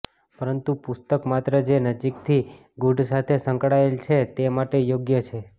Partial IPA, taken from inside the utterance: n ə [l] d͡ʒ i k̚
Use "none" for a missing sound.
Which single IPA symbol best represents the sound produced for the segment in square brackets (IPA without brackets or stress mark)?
none